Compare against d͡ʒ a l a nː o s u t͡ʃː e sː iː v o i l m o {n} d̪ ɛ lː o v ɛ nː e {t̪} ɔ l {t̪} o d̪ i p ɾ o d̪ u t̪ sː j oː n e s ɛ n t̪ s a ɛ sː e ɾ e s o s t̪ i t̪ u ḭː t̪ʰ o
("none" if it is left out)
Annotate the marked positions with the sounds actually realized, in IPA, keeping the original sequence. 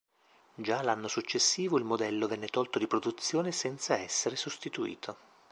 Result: none, t̪, t̪

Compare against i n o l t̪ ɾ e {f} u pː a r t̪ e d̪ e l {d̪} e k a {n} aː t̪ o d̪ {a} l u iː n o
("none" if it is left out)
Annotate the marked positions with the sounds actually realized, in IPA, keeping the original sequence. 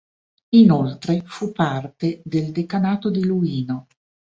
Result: f, d̪, n, i

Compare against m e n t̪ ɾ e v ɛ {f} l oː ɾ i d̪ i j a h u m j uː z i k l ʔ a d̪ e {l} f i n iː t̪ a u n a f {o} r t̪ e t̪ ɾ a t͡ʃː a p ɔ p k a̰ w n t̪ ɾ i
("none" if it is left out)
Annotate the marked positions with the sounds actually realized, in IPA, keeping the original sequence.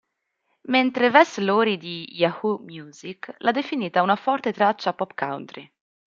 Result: s, none, ɔ

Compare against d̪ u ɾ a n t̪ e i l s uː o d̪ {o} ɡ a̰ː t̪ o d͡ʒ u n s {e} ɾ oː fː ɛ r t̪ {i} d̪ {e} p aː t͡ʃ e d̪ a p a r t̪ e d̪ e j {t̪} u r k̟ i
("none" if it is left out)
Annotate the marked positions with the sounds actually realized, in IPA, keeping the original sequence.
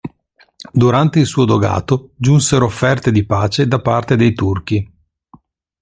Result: o, e, e, i, t̪

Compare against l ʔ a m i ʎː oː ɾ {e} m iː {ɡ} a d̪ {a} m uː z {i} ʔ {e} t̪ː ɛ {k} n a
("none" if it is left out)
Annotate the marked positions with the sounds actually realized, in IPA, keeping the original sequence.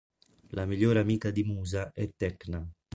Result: a, k, i, a, ɛ, k

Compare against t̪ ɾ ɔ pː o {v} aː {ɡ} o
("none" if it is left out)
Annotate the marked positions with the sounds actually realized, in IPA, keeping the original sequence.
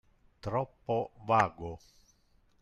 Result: v, ɡ

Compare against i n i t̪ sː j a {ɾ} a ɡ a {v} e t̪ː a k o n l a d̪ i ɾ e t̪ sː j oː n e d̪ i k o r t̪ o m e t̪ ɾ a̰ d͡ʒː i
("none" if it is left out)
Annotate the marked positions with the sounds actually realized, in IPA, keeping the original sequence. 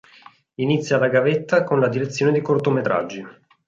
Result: l, v

